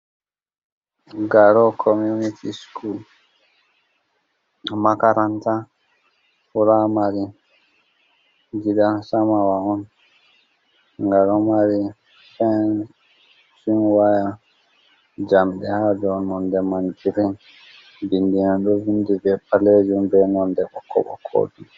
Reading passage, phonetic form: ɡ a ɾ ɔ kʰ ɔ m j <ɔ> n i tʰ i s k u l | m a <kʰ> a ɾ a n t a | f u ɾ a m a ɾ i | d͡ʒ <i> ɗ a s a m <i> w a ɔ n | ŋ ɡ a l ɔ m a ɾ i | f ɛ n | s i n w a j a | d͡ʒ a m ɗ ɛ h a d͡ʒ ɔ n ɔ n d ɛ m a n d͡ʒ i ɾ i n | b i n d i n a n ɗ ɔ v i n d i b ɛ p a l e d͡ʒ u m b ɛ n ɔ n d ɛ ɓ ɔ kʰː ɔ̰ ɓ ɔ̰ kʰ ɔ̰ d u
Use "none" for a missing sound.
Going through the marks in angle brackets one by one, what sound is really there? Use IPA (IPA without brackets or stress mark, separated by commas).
u, k, i, a